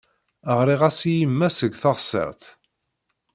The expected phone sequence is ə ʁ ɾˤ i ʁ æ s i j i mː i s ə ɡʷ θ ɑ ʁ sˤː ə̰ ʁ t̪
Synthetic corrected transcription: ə ʁ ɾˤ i ʁ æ s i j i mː æ s ə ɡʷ θ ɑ ʁ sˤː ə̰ ʁ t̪